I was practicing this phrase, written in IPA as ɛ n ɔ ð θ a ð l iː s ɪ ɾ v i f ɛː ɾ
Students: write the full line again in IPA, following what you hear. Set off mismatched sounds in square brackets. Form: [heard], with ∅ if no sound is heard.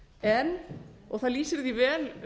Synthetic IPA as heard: ɛ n ɔ [ɣ] θ a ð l iː s ɪ ɾ [ð] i [v] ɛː [l]